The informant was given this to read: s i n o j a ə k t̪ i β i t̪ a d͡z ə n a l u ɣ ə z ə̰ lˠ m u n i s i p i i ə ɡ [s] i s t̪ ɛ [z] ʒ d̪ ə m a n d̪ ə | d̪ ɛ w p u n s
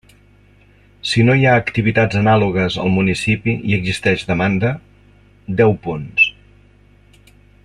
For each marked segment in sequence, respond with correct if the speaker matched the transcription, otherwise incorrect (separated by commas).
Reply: incorrect, incorrect